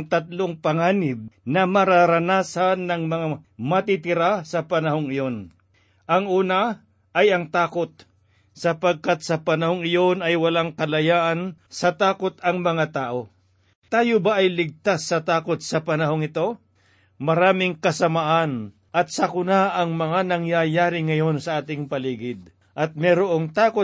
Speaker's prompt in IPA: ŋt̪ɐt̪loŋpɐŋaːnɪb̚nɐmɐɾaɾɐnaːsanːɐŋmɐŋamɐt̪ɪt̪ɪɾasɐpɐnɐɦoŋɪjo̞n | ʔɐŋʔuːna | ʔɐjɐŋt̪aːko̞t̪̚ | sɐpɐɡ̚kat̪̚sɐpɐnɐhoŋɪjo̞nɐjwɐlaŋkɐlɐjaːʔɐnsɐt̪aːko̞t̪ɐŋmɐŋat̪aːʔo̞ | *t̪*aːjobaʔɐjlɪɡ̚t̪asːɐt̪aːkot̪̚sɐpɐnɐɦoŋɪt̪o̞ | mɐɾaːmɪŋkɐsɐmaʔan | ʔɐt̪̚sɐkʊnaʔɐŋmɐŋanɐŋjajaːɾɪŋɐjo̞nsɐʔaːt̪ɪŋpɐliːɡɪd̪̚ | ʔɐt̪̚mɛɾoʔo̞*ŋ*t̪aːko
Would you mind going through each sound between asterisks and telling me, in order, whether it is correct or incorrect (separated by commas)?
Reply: correct, correct